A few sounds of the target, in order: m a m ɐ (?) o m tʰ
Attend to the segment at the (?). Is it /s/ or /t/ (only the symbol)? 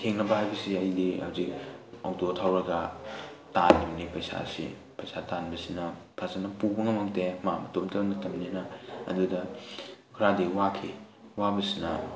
t